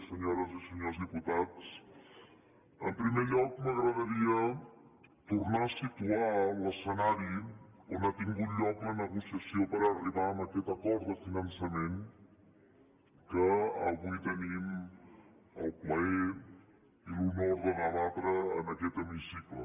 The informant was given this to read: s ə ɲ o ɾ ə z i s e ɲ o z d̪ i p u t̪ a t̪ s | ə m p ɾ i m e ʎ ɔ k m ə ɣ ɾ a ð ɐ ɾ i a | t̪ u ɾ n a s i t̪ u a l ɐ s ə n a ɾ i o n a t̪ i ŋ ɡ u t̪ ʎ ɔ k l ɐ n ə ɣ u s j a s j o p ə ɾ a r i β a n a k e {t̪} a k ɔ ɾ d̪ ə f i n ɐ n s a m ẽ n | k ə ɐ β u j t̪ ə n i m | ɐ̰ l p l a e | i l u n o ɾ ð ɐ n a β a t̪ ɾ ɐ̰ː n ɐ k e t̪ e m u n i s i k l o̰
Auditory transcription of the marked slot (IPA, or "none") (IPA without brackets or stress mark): t̪